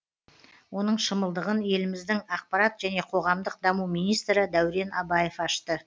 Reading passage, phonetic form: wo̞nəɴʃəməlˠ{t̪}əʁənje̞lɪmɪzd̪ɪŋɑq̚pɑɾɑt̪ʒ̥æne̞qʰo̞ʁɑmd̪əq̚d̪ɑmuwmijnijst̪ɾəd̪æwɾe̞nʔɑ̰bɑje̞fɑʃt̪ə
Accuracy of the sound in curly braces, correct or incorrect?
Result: incorrect: d̪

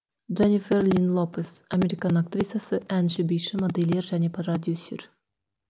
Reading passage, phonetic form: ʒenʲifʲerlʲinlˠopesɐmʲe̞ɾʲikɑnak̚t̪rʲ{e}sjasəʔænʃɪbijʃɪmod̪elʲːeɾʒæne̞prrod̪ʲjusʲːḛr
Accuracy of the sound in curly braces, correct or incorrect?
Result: incorrect: i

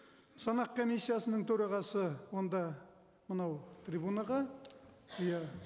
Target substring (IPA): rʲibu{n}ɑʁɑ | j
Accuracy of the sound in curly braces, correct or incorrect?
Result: correct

